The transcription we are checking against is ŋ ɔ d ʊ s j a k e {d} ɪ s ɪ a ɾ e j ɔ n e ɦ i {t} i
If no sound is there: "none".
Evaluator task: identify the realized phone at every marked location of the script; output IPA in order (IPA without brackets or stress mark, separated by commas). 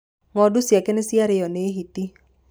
n, t